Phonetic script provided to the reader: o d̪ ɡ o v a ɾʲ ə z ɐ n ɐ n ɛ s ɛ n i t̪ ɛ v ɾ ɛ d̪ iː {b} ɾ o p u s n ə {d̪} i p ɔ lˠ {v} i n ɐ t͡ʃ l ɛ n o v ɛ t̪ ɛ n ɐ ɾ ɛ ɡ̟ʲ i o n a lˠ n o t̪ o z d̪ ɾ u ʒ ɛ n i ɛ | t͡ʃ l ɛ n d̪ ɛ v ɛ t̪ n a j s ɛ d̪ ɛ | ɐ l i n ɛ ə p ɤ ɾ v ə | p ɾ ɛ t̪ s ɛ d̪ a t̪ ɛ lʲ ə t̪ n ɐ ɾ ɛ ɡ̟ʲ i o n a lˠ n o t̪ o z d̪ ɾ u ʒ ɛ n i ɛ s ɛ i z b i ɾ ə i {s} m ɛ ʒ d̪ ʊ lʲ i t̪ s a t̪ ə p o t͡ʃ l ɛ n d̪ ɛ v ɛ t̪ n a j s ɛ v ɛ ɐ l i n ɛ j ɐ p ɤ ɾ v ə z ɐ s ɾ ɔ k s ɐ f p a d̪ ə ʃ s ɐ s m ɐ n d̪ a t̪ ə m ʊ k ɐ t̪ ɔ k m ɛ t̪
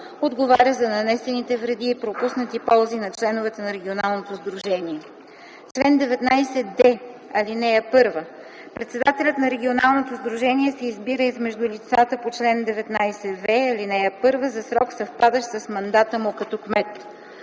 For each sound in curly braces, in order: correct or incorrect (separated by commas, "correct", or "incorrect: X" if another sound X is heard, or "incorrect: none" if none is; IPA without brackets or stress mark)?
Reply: incorrect: p, incorrect: t̪, incorrect: z, incorrect: z